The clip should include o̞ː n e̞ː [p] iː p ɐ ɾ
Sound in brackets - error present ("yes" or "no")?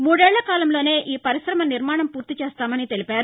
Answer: yes